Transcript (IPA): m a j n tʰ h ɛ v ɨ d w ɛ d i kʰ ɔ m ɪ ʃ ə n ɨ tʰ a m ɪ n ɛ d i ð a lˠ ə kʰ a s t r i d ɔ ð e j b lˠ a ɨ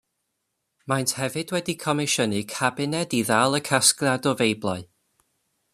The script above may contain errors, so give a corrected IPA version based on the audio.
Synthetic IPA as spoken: m a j n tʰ h ɛ v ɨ d w ɛ d i kʰ ɔ m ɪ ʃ ə n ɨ kʰ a b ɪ n ɛ d i ð a lˠ ə kʰ a s k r a d ɔ v e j b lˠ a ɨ